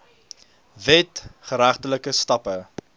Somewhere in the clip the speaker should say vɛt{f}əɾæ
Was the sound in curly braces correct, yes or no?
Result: no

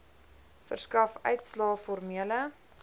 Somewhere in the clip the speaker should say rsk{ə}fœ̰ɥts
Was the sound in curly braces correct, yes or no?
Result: no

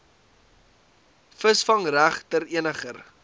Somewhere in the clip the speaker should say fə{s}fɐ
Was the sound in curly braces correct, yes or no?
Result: yes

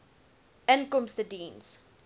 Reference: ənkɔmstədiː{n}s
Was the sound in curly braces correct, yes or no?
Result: yes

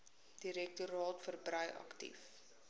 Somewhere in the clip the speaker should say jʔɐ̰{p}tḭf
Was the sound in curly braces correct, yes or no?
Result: no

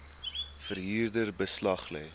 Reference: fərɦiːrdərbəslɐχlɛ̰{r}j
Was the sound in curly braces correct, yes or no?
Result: no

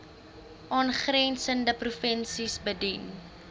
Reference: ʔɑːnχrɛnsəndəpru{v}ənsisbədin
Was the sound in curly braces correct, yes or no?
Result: no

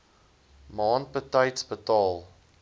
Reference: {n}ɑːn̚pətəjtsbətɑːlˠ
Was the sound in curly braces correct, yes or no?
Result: no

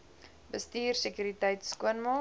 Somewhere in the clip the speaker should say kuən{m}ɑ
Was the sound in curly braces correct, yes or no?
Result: yes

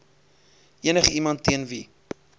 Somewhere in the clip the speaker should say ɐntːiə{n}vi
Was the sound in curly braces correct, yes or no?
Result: yes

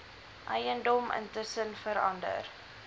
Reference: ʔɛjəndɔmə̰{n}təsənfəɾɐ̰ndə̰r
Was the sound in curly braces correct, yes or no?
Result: yes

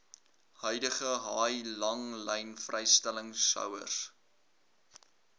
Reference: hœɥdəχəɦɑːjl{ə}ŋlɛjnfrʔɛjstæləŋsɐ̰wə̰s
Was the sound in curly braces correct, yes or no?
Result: no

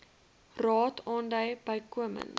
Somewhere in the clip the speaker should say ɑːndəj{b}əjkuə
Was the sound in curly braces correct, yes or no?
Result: yes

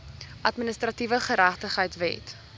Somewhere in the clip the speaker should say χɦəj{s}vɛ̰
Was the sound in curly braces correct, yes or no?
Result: no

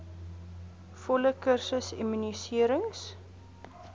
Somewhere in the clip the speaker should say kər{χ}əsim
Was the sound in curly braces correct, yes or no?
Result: no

